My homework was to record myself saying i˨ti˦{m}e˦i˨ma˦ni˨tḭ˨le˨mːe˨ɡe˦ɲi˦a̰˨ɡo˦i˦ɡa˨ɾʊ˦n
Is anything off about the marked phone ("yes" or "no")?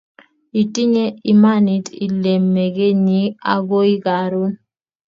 yes